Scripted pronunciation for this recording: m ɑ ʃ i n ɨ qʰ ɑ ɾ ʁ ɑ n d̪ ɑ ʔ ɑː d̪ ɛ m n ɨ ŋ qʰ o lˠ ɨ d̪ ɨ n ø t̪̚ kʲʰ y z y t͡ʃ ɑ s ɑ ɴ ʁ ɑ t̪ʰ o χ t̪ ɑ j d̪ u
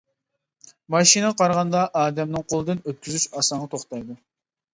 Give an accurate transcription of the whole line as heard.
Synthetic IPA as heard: m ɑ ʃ i n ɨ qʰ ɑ ɾ ʁ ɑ n d̪ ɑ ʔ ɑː d̪ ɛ m n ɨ ŋ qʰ o lˠ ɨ d̪ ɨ n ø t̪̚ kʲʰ y z y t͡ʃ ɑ s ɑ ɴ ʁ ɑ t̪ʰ o χ t̪ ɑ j d̪ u